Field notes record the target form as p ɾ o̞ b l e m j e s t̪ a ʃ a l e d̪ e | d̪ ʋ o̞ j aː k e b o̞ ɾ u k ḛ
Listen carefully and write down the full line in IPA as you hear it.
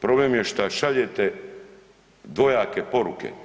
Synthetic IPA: p ɾ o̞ b l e m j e ʃ t̪ a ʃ a ʎ e t̪ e | d̪ ʋ o̞ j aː k e p o̞ ɾ u k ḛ